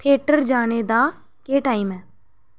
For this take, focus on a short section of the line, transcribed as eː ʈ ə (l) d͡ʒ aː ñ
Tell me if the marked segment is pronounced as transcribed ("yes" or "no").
no